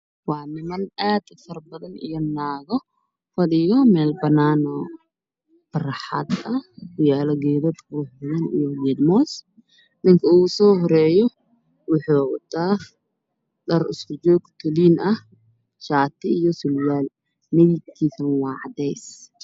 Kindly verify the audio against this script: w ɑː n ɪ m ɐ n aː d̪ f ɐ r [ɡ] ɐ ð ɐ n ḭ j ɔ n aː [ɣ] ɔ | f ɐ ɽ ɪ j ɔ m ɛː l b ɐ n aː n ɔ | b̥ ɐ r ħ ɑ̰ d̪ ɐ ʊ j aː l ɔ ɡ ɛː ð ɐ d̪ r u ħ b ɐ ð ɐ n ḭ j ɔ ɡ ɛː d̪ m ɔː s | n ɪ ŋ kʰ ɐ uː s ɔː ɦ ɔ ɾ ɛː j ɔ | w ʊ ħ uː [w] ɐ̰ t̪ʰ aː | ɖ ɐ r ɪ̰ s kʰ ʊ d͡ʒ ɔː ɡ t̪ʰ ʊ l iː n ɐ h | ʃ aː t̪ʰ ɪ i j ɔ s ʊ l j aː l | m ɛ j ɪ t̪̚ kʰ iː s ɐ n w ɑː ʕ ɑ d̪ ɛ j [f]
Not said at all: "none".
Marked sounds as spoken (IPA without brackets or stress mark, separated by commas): b, ɣ, w, s